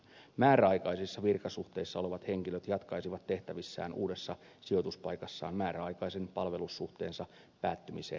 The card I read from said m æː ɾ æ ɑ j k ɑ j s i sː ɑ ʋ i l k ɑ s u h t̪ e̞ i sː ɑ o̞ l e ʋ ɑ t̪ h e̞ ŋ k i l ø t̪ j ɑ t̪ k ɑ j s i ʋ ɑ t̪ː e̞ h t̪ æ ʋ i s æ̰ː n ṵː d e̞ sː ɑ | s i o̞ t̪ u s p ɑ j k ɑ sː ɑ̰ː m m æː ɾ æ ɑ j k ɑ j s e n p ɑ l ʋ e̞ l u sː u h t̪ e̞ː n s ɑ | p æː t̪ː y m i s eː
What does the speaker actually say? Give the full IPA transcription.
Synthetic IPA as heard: m æː ɾ æ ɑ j k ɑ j s i sː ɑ ʋ i r k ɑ s u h t̪ e̞ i sː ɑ o̞ l e ʋ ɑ t̪ h e̞ ŋ k i l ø t̪ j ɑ t̪ k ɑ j s i ʋ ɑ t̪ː e̞ h t̪ æ ʋ i sː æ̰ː n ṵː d e̞ sː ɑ | s i o̞ t̪ u s p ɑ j k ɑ sː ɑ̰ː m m æː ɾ æ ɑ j k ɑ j s e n p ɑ l ʋ e̞ l u sː u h t̪ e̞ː n s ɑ | p æː t̪ː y m i s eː